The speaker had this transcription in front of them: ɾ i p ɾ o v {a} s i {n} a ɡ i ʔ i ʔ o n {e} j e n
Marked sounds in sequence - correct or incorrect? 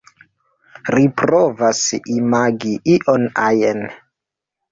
correct, incorrect: m, incorrect: a

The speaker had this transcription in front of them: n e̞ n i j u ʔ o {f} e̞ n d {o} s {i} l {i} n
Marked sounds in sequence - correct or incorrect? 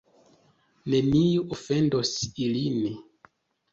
correct, correct, correct, correct

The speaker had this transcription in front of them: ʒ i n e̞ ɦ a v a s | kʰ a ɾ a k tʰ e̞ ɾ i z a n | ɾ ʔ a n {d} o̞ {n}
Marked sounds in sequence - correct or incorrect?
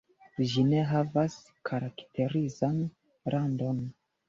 correct, correct

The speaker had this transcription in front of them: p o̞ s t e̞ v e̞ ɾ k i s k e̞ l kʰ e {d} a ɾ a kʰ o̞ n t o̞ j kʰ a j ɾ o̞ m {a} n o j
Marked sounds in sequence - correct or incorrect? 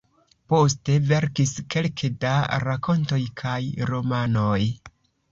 correct, correct

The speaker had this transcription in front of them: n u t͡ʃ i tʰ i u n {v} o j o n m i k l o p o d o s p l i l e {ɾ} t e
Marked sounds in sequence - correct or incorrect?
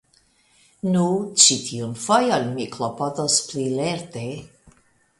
incorrect: f, correct

